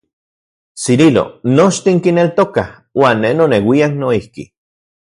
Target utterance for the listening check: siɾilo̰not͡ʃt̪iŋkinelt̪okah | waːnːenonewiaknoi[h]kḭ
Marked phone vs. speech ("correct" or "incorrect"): correct